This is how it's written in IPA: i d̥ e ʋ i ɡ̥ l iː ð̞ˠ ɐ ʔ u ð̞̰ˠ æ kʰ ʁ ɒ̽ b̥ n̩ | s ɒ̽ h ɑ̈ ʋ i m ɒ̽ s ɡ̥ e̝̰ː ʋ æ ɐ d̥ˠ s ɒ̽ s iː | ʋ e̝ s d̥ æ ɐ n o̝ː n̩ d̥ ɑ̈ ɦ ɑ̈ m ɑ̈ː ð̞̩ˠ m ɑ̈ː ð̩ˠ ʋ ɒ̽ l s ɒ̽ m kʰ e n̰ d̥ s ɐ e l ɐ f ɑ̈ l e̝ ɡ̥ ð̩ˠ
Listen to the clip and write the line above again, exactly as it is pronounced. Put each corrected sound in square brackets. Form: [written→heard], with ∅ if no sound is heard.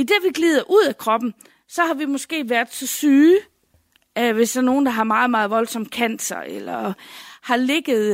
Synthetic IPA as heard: i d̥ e ʋ i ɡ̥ l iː ð̞ˠ ɐ ʔ u ð̞̰ˠ æ kʰ ʁ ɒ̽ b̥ n̩ | s ɒ̽ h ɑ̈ ʋ i m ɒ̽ s ɡ̥ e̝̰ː ʋ æ ɐ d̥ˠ s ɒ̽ s [iː→yː] | ʋ e̝ s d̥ æ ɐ n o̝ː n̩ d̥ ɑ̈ ɦ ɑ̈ m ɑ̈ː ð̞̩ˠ m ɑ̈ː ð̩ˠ ʋ ɒ̽ l s ɒ̽ m kʰ [e→æ] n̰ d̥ s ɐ e l ɐ [f→h] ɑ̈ l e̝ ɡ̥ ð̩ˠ